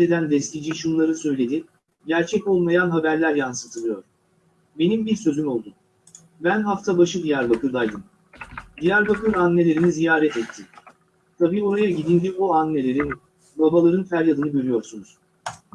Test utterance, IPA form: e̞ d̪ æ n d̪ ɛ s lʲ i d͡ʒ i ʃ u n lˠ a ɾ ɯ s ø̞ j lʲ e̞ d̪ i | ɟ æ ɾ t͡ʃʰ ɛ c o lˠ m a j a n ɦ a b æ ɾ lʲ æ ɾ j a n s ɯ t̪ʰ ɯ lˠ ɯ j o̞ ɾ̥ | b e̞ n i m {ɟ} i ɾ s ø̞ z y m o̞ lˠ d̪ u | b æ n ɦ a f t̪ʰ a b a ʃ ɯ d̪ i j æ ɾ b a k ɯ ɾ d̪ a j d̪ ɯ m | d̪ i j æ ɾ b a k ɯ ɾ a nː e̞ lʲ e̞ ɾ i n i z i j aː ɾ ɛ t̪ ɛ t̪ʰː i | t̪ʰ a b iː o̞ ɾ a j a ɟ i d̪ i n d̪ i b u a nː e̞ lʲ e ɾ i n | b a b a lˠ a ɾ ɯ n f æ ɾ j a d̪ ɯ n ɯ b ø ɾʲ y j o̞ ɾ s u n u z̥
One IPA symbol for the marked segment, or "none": b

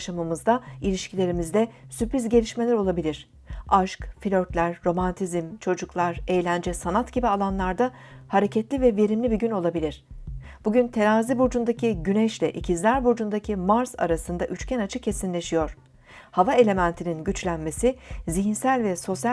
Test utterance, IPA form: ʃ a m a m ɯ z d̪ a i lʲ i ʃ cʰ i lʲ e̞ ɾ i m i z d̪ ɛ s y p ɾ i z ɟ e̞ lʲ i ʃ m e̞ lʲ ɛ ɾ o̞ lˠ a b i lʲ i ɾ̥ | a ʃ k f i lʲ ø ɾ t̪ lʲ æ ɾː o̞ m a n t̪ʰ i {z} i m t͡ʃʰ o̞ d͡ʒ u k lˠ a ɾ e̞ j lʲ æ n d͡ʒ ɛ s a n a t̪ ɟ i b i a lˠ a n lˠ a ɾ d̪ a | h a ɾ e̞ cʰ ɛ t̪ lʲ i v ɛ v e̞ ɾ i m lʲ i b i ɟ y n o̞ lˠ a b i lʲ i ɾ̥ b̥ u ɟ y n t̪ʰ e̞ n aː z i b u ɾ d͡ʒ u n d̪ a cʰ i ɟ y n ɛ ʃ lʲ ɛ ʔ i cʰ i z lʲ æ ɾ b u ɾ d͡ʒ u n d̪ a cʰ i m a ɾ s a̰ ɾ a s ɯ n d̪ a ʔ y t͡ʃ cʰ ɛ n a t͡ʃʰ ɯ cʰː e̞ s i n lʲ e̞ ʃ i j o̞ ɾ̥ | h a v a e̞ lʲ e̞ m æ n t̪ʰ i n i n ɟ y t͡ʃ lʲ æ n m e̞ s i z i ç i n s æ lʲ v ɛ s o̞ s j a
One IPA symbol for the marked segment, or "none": z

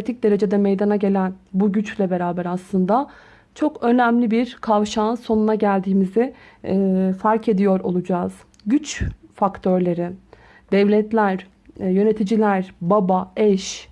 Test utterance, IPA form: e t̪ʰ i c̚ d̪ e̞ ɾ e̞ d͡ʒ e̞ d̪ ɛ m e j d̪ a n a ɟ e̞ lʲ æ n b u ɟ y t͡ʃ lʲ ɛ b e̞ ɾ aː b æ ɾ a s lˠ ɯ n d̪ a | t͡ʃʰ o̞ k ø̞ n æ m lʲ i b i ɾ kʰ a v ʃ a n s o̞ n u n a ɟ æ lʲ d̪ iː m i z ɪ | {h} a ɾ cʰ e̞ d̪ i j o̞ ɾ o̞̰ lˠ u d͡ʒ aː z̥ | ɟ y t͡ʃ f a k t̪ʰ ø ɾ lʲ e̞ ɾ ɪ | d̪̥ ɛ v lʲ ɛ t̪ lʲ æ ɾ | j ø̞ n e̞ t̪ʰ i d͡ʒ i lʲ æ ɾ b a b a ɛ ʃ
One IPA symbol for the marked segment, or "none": f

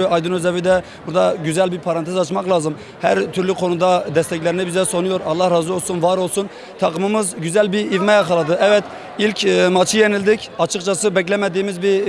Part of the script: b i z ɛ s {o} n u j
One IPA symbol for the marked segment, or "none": o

